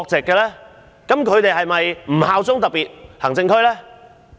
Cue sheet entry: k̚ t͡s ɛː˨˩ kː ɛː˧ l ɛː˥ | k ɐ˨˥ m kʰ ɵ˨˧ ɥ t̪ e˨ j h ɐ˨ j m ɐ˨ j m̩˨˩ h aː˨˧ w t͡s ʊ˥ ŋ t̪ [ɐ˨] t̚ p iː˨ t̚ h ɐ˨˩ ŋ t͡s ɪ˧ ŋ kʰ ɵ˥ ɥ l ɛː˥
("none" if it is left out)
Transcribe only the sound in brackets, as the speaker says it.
ɐ˨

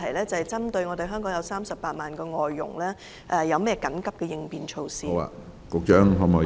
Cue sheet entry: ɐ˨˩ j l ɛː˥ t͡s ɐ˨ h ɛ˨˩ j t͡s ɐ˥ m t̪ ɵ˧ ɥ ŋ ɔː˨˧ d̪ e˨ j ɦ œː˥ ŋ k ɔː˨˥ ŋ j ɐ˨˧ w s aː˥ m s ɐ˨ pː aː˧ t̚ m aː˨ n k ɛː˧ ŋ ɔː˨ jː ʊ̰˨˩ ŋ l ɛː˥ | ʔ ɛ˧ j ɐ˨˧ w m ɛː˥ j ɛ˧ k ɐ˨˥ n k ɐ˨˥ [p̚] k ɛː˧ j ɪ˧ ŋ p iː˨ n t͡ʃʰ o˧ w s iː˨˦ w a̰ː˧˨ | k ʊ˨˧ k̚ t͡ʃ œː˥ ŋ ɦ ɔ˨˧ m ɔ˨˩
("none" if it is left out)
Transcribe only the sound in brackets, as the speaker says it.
p̚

